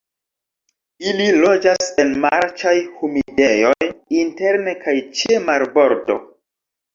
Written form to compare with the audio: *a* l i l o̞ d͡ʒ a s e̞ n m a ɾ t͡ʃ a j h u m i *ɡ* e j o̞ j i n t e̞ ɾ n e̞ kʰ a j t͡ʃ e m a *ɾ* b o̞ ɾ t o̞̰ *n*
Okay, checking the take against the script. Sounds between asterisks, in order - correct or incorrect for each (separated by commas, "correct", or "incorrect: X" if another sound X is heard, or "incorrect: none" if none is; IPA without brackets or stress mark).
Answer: incorrect: i, incorrect: d, correct, incorrect: none